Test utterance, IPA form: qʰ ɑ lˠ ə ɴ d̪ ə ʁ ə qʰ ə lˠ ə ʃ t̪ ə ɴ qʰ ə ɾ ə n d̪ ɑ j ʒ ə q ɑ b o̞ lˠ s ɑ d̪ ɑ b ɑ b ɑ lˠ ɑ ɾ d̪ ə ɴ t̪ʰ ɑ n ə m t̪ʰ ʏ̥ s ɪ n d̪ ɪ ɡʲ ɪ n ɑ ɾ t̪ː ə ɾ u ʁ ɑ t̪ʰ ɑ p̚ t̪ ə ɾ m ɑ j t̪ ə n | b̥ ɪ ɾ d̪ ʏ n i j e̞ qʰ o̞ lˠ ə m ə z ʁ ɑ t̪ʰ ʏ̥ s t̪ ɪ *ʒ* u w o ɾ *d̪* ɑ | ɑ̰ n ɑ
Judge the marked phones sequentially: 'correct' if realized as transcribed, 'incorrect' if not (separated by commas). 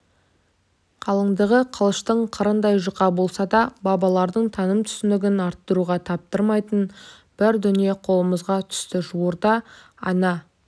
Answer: correct, correct